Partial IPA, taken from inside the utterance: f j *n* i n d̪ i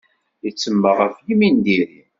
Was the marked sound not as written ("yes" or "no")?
yes